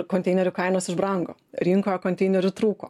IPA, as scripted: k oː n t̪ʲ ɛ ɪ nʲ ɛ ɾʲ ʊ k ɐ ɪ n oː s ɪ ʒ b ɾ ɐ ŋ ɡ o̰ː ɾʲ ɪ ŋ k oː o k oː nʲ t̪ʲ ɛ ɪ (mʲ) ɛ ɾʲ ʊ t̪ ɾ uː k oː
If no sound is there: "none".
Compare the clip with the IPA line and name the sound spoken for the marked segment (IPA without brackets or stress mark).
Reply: nʲ